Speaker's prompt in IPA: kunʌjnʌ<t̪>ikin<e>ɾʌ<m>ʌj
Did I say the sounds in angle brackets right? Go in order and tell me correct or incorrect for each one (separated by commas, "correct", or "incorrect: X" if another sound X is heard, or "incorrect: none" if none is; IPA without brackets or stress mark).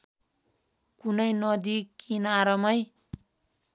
incorrect: d̪, incorrect: a, correct